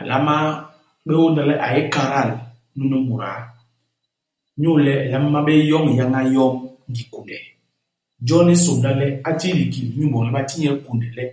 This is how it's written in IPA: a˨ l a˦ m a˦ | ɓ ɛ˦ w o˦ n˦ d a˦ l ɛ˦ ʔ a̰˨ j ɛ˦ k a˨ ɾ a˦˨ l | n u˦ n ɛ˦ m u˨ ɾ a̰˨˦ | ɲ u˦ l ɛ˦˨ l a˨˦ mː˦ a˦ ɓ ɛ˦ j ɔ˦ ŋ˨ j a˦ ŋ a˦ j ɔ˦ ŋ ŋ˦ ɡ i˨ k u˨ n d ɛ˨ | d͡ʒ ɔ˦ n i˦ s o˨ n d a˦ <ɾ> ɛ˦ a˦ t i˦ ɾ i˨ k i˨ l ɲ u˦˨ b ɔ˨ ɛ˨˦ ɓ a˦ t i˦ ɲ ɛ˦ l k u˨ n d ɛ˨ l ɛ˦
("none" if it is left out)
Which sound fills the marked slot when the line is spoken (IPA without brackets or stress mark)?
l